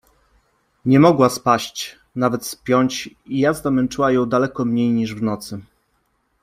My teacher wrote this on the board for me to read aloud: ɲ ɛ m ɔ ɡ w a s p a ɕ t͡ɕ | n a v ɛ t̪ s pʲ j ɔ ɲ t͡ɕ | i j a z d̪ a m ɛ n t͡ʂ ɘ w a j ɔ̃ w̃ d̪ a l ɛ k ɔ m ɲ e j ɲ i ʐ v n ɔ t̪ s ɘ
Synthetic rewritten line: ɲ ɛ m ɔ ɡ w a s p a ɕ t͡ɕ | n a v ɛ t̪ s pʲ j ɔ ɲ t͡ɕ | i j a z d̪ a m ɛ n t͡ʂ ɘ w a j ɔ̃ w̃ d̪ a l ɛ k ɔ m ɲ e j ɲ i ʐ v n ɔ t̪ s ɘ